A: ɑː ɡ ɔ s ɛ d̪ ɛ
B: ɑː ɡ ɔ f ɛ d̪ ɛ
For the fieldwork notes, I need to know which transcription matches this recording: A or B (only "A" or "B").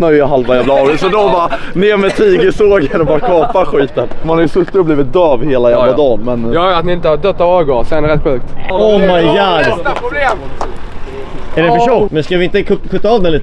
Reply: A